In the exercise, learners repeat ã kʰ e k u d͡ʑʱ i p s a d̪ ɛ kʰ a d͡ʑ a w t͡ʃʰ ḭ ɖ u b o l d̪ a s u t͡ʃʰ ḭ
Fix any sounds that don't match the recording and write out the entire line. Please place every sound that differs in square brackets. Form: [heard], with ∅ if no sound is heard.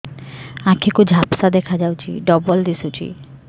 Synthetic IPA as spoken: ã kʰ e k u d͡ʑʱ [a] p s a d̪ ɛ kʰ a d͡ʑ a w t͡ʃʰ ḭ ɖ [ɔ] b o l d̪ [i] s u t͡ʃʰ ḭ